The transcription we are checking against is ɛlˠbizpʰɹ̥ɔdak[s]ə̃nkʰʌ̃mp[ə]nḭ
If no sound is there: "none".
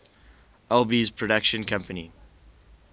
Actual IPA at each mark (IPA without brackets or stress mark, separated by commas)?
ʃ, ə